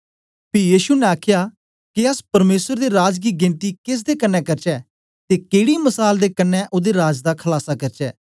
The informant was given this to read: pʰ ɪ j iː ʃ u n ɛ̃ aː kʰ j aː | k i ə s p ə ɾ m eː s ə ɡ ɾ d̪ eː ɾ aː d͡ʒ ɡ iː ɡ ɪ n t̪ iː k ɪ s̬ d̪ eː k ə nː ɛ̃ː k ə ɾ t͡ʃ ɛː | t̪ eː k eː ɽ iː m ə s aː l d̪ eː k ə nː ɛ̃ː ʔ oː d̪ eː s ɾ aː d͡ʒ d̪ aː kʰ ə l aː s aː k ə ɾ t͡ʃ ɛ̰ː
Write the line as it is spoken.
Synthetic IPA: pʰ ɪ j iː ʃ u n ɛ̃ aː kʰ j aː | k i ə s p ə ɾ m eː s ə ɾ d̪ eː ɾ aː d͡ʒ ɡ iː ɡ ɪ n t̪ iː k ɪ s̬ d̪ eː k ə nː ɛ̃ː k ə ɾ t͡ʃ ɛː | t̪ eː k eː ɽ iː m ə s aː l d̪ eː k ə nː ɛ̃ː ʔ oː d̪ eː ɾ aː d͡ʒ d̪ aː kʰ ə l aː s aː k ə ɾ t͡ʃ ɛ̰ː